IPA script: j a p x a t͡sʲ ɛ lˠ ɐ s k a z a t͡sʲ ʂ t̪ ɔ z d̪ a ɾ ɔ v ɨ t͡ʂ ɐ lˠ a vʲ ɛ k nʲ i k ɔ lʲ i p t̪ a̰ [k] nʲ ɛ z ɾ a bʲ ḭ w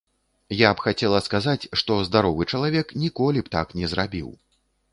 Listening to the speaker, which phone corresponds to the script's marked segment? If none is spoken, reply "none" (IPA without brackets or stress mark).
k